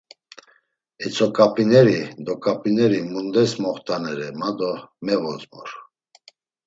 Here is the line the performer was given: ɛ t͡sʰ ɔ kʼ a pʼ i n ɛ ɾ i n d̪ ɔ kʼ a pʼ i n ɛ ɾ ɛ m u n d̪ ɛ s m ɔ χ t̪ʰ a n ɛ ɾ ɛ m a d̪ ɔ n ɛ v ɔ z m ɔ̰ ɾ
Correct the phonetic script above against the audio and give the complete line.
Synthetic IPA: ɛ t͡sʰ ɔ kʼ a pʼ i n ɛ ɾ i d̪ ɔ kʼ a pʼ i n ɛ ɾ i m u n d̪ ɛ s m ɔ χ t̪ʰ a n ɛ ɾ ɛ m a d̪ ɔ m ɛ v ɔ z m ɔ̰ ɾ